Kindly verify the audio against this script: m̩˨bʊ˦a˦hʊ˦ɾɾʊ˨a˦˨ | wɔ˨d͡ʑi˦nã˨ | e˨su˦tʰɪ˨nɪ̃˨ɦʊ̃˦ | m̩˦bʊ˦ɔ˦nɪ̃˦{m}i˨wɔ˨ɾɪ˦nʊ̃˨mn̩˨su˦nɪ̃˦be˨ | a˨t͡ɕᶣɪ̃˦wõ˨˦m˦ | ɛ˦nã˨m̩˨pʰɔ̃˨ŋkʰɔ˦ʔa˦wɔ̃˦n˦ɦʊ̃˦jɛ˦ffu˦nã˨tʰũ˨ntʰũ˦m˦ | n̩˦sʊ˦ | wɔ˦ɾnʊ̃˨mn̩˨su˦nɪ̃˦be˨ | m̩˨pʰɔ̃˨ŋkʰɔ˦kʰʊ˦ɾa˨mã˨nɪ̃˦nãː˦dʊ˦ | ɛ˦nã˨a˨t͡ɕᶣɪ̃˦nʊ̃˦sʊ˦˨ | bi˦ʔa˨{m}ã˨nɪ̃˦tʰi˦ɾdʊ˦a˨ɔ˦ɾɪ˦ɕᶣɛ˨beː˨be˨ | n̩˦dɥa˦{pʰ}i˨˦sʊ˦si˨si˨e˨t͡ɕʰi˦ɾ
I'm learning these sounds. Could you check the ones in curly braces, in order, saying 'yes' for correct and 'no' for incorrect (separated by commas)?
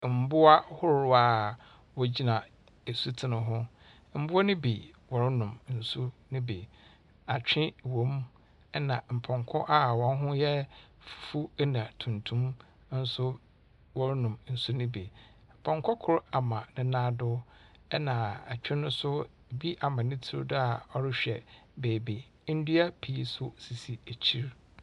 no, yes, yes